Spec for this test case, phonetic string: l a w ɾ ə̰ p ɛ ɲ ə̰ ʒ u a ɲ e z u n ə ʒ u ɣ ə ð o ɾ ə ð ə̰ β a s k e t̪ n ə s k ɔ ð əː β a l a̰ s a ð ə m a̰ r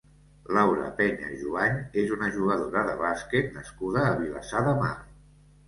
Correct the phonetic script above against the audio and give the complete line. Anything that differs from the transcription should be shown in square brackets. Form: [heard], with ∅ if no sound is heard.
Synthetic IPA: l a w ɾ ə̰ p ɛ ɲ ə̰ ʒ u a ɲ e z u n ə ʒ u ɣ ə ð o ɾ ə ð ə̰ β a s k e t̪ n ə s k [u] ð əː β [i] l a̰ s a ð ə m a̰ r